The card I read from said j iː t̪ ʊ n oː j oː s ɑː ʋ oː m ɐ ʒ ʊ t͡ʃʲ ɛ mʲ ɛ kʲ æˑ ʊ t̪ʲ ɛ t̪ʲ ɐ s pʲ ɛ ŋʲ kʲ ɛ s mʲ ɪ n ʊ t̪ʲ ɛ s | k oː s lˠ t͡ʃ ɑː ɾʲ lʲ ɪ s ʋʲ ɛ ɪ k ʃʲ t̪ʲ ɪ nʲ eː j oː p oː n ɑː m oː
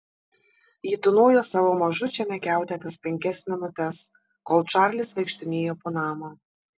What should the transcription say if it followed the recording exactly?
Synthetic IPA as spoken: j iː t̪ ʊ n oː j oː s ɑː ʋ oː m ɐ ʒ ʊ t͡ʃʲ ɛ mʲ ɛ kʲ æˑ ʊ t̪ʲ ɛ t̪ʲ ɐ s pʲ ɛ ŋʲ kʲ ɛ s mʲ ɪ n ʊ t̪ʲ ɛ s | k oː lˠ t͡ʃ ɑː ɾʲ lʲ ɪ s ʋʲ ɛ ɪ k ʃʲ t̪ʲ ɪ nʲ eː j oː p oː n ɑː m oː